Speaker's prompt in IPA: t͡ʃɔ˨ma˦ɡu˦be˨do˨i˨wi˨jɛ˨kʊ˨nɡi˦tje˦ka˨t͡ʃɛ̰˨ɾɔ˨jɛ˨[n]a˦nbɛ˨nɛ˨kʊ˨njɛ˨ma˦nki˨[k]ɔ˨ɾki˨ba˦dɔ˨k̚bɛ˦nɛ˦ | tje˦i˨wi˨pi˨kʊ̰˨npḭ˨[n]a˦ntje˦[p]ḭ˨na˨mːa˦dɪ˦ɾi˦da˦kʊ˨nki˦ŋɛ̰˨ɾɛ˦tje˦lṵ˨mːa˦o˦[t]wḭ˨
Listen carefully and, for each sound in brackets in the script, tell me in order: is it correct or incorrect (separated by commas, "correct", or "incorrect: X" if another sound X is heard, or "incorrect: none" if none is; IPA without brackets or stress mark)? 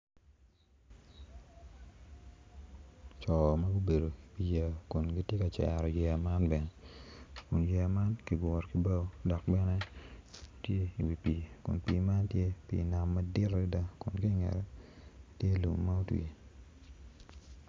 incorrect: m, incorrect: ɡ, incorrect: m, correct, correct